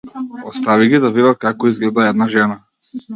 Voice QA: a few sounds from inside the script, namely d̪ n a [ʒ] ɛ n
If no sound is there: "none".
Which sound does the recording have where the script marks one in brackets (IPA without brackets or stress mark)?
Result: ʒ